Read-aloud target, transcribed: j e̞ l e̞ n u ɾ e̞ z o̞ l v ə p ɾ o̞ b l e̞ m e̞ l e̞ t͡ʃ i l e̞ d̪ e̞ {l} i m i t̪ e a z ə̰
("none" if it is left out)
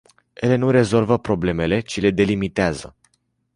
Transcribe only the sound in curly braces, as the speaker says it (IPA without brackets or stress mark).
l